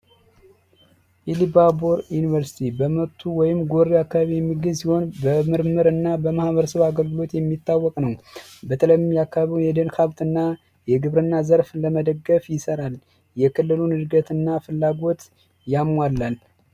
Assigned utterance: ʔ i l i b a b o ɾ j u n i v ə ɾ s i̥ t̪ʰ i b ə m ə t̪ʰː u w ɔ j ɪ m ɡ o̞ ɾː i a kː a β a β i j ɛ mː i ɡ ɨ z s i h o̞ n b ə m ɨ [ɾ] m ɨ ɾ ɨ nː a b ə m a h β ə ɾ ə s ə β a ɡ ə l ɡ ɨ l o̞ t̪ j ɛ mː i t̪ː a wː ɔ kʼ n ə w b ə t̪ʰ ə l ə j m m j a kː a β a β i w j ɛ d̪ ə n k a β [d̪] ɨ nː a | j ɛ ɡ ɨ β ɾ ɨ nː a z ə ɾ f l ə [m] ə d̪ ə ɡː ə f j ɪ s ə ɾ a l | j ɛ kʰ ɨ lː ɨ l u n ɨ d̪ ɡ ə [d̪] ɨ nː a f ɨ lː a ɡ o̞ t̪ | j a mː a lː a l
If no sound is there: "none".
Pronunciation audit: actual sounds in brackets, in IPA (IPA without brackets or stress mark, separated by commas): ɾ, t̪, m, t̪